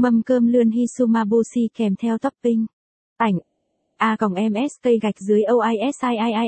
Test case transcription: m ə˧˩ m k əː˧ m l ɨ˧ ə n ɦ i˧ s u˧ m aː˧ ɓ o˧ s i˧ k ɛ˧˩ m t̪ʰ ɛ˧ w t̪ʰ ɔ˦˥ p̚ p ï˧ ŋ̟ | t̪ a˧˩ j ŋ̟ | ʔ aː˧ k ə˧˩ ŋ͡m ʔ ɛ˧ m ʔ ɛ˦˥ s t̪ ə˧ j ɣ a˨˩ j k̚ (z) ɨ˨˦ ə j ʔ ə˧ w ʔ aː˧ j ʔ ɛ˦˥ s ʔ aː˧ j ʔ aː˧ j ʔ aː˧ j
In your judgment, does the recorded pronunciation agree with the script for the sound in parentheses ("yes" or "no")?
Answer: yes